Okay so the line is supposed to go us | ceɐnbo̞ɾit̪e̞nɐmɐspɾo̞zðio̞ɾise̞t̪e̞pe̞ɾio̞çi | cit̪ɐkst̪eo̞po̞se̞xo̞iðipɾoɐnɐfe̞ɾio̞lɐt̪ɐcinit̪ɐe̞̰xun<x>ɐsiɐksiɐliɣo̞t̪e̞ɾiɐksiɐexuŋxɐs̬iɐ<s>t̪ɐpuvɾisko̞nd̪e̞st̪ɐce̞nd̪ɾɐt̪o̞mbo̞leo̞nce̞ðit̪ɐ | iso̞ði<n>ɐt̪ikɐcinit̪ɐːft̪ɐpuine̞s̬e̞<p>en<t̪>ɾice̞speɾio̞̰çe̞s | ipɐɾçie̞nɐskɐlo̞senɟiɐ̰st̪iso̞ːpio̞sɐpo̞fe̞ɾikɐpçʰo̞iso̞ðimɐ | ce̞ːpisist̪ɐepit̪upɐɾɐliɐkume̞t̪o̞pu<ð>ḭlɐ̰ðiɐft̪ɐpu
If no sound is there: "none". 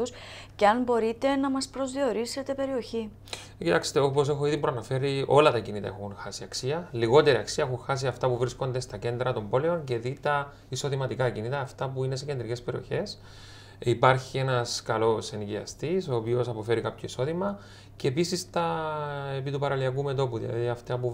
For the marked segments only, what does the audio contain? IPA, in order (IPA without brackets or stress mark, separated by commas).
x, f, m, c, d̪, ð